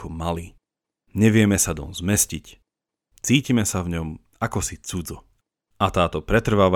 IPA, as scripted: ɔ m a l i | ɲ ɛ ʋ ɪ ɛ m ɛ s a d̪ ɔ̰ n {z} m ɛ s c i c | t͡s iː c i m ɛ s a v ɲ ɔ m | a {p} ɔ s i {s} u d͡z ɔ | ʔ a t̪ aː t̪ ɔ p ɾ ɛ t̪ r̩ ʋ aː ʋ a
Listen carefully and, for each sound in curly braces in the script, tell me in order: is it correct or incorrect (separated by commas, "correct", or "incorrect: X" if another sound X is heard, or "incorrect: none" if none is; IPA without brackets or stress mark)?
correct, incorrect: k, incorrect: t͡s